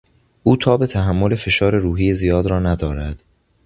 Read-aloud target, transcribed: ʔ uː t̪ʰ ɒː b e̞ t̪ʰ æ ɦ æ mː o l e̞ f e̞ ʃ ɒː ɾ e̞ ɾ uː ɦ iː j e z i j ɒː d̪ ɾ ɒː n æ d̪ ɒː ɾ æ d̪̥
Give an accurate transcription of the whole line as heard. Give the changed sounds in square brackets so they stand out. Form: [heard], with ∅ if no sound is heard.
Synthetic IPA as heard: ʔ uː t̪ʰ ɒː b e̞ t̪ʰ æ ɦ æ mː o l e̞ f e̞ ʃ ɒː ɾ e̞ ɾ uː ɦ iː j e z i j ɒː d̪ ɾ ɒː n æ d̪ ɒː ɾ æ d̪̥